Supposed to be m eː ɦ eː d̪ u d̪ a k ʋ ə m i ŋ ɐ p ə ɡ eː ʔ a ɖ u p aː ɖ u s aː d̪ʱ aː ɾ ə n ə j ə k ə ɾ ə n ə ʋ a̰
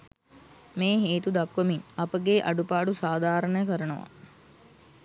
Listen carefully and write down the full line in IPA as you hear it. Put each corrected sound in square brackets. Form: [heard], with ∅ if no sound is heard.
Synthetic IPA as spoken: m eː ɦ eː [t̪] u d̪ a k ʋ ə m i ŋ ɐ p ə ɡ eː ʔ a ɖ u p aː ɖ u s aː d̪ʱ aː ɾ ə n ə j ə k ə ɾ ə n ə ʋ a̰